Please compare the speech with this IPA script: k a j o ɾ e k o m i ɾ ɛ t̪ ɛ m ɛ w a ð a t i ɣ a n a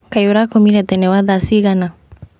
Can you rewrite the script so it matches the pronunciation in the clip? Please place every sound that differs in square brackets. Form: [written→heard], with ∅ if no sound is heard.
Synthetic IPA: k a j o ɾ [e→a] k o m i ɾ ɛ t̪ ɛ [m→n] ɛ w a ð a [t→s] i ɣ a n a